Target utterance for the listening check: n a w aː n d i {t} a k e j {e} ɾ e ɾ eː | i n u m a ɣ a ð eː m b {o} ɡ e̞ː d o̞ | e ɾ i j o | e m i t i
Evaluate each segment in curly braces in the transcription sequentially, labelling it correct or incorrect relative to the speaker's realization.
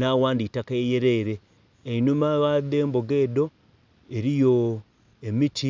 correct, correct, correct

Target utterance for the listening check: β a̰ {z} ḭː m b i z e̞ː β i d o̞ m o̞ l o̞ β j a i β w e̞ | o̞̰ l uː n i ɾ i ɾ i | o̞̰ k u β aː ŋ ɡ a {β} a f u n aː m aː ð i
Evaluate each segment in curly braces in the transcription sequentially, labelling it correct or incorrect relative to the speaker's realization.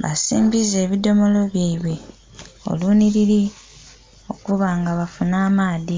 incorrect: s, correct

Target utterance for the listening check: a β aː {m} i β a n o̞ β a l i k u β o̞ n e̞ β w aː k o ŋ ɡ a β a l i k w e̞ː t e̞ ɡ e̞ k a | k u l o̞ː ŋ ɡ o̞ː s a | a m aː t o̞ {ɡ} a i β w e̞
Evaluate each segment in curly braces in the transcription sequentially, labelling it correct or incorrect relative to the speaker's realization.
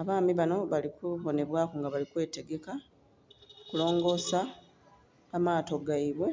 correct, correct

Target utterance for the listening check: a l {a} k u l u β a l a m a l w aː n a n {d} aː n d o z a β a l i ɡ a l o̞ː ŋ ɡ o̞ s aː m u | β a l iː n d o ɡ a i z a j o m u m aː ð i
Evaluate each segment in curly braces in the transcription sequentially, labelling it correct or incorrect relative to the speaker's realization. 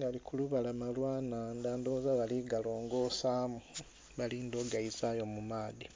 incorrect: i, correct

